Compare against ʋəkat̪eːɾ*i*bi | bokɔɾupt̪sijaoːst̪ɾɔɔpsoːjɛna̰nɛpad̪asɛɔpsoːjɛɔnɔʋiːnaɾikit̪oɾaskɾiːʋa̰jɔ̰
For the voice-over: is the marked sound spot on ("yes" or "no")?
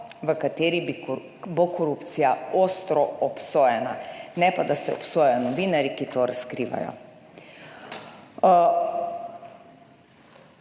yes